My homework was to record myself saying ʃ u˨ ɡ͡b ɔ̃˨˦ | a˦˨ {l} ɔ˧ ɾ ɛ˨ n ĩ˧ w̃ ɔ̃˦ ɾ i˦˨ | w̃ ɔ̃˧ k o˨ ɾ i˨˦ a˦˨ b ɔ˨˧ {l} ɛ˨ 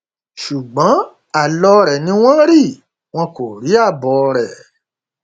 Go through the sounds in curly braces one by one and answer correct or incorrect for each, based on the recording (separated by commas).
correct, incorrect